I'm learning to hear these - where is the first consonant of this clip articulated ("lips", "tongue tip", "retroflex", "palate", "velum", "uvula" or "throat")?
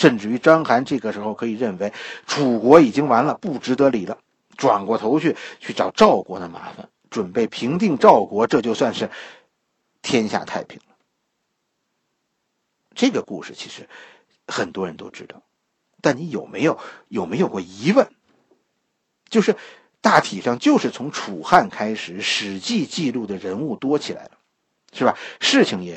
retroflex